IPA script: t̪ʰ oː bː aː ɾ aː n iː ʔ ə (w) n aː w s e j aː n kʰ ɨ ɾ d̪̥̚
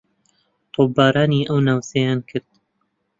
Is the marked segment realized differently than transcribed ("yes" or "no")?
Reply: no